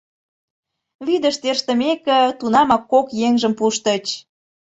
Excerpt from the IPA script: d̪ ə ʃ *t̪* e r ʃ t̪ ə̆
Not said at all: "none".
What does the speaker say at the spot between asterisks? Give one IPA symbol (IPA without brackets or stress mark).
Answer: t̪